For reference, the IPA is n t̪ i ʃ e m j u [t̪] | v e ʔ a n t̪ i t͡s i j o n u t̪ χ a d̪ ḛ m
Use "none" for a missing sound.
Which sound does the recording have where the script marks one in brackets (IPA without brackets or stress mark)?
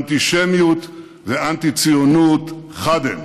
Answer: t̪